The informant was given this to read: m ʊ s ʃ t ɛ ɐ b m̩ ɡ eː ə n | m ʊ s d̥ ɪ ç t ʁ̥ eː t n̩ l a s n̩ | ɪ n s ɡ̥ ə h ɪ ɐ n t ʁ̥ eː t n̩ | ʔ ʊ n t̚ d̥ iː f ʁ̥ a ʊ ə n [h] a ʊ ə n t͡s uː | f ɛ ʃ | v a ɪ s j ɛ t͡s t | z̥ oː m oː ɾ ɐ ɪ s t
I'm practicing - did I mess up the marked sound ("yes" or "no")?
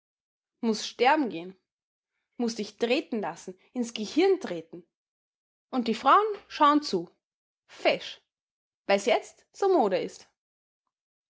yes